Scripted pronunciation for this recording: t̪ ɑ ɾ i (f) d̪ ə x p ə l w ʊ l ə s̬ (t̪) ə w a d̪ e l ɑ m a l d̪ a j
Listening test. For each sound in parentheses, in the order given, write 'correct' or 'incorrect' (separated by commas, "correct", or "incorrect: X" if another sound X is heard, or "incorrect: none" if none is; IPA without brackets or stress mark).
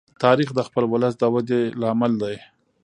incorrect: x, incorrect: d̪